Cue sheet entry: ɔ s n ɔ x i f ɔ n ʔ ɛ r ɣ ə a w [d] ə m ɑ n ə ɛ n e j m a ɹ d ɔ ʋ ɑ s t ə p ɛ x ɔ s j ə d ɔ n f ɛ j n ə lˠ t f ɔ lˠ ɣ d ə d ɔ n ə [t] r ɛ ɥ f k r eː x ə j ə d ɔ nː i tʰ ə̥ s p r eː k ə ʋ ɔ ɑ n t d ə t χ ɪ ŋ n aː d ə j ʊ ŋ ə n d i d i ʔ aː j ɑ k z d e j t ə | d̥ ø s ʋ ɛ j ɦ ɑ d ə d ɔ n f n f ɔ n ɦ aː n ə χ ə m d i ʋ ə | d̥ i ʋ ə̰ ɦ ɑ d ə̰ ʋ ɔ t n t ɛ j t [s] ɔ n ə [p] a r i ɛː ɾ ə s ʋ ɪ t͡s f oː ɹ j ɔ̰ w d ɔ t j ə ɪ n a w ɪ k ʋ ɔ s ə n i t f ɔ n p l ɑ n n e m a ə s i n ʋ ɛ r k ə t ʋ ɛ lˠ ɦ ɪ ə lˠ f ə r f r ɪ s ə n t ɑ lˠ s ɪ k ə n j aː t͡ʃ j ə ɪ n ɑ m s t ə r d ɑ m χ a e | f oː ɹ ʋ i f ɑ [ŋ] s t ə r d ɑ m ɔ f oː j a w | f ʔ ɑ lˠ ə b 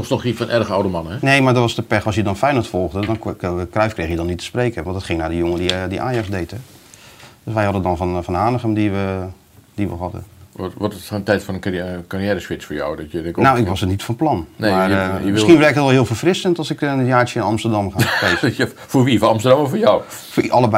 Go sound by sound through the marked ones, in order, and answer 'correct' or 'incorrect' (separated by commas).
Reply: correct, incorrect, incorrect, incorrect, incorrect